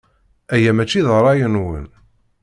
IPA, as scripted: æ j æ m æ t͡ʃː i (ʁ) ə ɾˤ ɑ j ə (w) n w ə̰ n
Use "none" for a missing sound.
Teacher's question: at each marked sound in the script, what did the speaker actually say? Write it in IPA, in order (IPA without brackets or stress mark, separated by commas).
ð, none